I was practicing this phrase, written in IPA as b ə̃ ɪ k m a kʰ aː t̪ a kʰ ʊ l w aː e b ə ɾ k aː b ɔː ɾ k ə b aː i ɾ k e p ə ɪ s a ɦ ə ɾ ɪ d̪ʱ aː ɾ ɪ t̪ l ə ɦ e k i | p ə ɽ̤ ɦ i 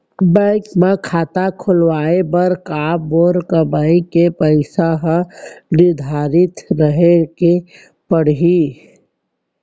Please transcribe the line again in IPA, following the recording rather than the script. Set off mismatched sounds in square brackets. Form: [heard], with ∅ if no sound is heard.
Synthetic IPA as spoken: b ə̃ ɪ k m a kʰ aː t̪ a kʰ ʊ l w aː e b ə ɾ k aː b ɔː ɾ k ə b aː i [∅] k e p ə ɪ s a ɦ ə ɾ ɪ d̪ʱ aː ɾ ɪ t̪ [ɾ] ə ɦ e k [e] | p ə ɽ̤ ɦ i